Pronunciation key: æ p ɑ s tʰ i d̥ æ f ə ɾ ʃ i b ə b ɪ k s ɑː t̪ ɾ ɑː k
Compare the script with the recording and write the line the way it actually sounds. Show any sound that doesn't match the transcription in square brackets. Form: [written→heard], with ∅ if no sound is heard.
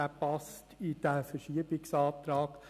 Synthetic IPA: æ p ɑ s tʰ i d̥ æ f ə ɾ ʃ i [b→∅] ə b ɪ k s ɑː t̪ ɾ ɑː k